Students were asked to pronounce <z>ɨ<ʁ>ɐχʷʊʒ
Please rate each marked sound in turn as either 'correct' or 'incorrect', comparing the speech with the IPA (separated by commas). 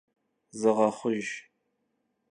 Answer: correct, correct